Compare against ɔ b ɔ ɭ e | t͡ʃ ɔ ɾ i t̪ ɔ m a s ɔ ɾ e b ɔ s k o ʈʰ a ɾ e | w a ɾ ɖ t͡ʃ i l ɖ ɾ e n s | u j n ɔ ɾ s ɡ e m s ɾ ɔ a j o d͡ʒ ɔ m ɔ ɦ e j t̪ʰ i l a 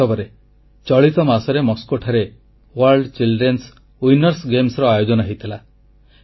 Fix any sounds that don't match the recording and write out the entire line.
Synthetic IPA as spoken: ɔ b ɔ ɾ e | t͡ʃ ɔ ɭ i t̪ ɔ m a s ɔ ɾ e m ɔ s k o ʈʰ a ɾ e | w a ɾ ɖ t͡ʃ i l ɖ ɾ e n s | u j n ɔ ɾ s ɡ e m s ɾ ɔ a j o d͡ʒ ɔ n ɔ ɦ e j t̪ʰ i l a